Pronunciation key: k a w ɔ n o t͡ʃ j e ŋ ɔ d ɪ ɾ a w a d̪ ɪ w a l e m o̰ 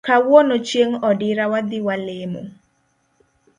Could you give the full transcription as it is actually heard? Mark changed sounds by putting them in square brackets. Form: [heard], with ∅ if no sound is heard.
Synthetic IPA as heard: k a w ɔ n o t͡ʃ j e ŋ ɔ d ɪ ɾ a w a d̪ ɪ w a l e m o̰